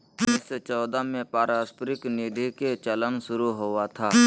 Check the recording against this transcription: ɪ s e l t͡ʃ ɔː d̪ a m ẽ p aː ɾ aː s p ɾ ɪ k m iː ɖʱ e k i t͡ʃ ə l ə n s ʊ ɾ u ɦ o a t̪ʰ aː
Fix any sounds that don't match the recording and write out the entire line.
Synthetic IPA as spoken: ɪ s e t͡ʃ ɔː d̪ a m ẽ p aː ɾ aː s p ɾ ɪ k n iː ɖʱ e k e t͡ʃ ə l ə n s ʊ ɾ u ɦ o a t̪ʰ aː